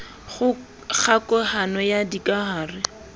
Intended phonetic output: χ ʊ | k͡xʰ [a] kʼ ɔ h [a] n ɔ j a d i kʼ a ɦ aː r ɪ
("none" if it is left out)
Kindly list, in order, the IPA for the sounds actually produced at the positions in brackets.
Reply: a, a

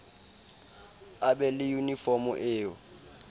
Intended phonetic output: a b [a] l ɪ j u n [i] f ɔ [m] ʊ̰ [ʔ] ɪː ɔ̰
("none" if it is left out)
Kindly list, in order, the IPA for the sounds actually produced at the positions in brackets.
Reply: ɛ, i, m, ʔ

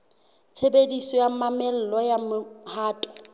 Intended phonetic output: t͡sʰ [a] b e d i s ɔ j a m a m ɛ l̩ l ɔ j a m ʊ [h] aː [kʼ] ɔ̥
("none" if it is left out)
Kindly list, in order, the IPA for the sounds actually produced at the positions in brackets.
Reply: e, h, tʼ

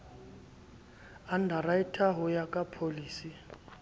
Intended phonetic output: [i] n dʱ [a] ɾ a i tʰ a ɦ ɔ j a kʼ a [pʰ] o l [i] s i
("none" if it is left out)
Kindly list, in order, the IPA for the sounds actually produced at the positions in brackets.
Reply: a, a, pʰ, iː

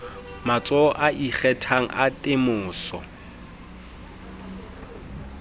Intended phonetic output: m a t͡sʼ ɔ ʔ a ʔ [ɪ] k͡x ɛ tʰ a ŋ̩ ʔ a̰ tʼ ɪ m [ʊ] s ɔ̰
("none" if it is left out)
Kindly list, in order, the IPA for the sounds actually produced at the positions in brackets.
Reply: i, ʊː

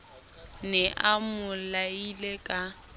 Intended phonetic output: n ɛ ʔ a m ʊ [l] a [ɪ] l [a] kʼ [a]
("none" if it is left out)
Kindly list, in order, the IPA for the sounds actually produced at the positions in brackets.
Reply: l, i, e, a

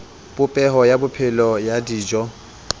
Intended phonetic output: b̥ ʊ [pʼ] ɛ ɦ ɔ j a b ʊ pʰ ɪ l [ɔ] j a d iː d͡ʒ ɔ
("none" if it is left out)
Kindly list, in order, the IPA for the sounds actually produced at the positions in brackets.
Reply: pʼ, ɔ

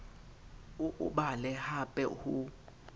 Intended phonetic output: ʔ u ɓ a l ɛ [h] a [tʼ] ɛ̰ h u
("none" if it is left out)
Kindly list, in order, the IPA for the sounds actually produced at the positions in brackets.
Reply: h, pʼ

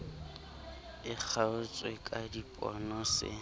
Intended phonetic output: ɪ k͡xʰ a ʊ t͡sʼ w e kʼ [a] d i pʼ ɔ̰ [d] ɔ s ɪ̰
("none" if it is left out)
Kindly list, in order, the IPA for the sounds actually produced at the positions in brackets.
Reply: a, n

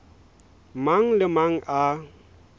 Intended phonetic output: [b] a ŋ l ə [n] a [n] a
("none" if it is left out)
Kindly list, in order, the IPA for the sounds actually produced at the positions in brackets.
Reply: m, m, ŋ

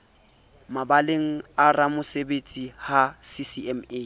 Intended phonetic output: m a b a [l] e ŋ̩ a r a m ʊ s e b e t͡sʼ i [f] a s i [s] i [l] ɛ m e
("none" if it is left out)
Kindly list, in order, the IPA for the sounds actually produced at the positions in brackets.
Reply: l, h, s, none

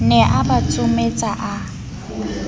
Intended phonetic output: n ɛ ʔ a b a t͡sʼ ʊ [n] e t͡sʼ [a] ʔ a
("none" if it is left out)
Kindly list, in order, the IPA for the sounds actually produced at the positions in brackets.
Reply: m, a

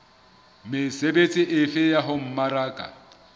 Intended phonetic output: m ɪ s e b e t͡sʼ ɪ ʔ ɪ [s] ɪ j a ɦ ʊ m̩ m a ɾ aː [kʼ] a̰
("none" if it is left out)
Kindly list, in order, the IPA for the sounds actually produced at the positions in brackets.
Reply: f, kʼ

